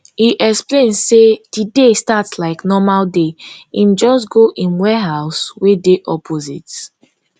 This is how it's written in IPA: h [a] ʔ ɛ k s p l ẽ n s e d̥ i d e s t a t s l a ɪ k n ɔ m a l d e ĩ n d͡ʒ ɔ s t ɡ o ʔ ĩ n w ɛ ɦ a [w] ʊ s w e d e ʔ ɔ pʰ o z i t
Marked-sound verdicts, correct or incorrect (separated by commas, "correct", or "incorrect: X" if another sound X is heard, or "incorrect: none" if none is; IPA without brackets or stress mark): incorrect: i, incorrect: none